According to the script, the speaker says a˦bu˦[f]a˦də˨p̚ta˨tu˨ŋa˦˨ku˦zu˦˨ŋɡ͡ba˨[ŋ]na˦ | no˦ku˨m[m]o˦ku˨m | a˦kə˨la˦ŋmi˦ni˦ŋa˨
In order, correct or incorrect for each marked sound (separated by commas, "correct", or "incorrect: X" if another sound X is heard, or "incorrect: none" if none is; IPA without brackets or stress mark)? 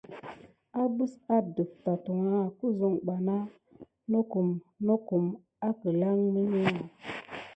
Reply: incorrect: s, incorrect: none, incorrect: n